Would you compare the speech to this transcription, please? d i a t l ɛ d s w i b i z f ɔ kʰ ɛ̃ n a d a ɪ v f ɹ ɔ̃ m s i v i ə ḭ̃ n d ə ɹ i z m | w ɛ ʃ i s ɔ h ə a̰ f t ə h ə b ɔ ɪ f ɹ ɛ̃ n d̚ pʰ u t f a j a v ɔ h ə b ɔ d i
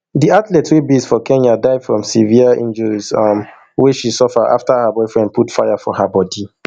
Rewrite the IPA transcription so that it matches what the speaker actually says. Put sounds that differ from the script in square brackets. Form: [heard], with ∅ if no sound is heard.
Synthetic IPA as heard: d i a t l ɛ [t] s w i b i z f ɔ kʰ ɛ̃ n a d a ɪ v f ɹ ɔ̃ m s i v i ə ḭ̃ n [d͡ʒ] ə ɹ i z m | w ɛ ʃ i s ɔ [f] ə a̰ f t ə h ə b ɔ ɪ f ɹ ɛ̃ n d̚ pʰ u t f a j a [f] ɔ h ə b ɔ d i